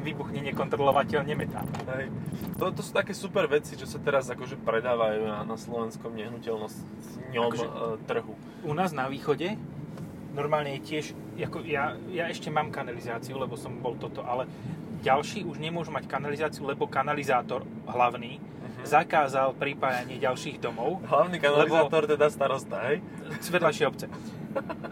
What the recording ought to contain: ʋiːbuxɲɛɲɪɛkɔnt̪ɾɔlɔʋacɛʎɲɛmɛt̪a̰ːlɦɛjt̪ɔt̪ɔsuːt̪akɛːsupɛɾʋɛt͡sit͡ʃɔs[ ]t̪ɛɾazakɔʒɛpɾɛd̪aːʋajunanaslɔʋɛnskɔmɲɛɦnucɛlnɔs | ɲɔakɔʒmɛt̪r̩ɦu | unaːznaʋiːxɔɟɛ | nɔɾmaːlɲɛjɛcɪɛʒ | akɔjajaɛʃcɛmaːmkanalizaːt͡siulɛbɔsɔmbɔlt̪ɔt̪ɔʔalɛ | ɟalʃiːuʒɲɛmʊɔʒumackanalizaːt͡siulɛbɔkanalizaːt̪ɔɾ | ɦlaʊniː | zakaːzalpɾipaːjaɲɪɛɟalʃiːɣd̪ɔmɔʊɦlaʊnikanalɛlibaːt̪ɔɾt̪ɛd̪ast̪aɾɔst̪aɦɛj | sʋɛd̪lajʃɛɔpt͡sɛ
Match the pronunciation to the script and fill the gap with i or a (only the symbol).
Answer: a